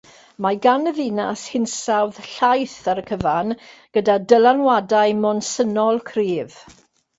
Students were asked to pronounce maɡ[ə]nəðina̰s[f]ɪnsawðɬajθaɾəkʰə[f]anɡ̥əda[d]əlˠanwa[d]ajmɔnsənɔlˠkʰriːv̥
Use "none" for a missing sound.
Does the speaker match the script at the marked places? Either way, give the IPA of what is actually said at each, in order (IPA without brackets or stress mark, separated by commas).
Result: a, h, v, d, d